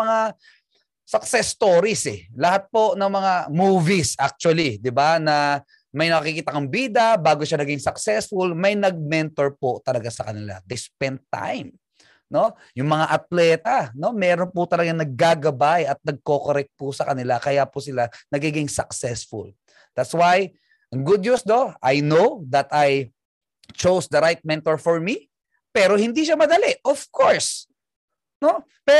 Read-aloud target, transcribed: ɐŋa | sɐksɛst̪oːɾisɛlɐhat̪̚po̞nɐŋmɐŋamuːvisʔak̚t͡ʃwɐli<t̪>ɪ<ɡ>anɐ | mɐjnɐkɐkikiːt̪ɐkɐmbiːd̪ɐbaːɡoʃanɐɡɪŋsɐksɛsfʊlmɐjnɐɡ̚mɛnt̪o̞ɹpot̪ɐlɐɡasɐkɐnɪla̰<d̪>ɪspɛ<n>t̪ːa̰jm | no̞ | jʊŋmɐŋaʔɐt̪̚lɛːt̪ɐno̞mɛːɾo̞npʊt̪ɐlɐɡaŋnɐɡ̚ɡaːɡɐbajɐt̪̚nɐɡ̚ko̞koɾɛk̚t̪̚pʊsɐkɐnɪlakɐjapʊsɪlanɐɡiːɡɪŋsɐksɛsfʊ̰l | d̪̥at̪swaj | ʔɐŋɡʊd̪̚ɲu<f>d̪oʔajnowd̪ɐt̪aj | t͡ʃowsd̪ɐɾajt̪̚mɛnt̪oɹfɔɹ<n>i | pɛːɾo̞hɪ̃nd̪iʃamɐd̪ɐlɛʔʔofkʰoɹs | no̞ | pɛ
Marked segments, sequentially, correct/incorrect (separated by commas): incorrect, incorrect, correct, correct, incorrect, incorrect